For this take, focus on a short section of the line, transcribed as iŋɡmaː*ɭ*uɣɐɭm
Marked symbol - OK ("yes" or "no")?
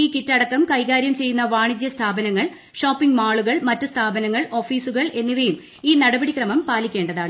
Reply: yes